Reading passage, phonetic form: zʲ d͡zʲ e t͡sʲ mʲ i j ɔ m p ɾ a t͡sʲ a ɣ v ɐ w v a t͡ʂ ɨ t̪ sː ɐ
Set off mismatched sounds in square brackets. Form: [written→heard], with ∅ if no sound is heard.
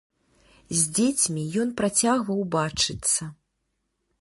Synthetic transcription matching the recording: zʲ d͡zʲ e t͡sʲ mʲ i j ɔ [m→n] p ɾ a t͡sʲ a ɣ v ɐ w [v→b] a t͡ʂ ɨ t̪ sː ɐ